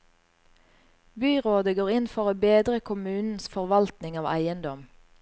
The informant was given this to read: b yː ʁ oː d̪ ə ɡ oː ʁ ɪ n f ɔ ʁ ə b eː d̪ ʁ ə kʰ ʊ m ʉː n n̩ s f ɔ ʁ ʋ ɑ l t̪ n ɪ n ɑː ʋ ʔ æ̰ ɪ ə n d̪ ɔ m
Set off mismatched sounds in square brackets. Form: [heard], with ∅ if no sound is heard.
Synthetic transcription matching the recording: b yː ʁ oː d̪ ə ɡ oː ʁ ɪ n f ɔ ʁ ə b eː d̪ ʁ ə kʰ ʊ m ʉː n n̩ s f ɔ ʁ ʋ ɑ l t̪ n ɪ [ŋ] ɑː ʋ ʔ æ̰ ɪ ə n d̪ ɔ m